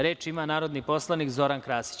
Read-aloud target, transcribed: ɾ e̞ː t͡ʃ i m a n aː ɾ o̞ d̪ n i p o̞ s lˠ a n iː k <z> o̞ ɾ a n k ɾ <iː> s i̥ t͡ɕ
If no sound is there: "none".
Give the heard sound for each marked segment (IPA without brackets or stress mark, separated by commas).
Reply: z, aː